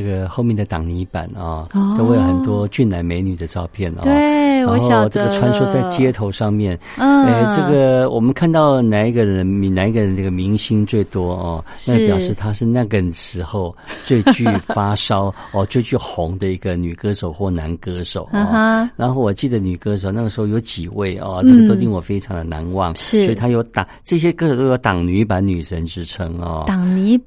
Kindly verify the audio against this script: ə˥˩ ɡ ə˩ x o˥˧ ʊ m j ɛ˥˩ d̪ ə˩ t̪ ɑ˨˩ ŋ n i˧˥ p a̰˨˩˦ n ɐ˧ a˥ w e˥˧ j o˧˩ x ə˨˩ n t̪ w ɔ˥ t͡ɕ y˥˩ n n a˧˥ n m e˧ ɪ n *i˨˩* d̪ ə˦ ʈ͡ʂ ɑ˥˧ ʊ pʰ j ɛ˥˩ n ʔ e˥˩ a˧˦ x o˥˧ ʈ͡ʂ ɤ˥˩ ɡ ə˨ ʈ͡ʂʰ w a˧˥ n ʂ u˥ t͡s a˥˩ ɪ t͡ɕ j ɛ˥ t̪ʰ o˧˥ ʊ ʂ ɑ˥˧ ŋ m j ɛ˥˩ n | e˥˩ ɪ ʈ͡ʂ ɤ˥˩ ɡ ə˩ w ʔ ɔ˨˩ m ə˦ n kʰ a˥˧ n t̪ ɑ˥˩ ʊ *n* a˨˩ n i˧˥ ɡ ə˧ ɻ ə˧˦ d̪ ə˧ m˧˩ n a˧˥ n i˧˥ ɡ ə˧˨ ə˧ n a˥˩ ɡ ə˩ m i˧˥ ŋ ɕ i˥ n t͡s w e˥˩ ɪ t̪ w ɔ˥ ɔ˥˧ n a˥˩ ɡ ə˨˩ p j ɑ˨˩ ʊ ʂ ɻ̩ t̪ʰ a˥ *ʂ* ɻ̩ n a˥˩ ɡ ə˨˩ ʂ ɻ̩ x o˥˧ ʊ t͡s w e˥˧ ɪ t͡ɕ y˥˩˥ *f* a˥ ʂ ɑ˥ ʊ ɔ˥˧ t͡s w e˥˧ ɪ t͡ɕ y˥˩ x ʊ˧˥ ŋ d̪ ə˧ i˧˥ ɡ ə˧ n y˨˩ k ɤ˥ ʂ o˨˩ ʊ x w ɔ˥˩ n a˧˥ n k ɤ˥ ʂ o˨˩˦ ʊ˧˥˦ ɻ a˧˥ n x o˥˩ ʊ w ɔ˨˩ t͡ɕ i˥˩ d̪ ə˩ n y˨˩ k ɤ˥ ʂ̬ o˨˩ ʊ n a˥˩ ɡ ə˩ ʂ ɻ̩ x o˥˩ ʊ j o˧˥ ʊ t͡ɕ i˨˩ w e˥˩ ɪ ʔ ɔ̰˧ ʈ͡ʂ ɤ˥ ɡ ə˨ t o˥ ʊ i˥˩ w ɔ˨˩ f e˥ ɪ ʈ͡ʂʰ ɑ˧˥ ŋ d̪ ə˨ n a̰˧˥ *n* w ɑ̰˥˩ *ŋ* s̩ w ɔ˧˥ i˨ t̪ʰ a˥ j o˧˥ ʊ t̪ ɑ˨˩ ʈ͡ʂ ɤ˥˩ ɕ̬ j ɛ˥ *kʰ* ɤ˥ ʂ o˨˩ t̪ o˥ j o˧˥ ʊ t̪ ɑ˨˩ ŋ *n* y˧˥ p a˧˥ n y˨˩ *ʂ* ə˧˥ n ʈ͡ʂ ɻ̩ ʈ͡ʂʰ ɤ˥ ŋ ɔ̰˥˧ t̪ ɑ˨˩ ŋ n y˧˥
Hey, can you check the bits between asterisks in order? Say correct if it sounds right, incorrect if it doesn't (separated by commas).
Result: incorrect, correct, correct, correct, correct, correct, incorrect, correct, correct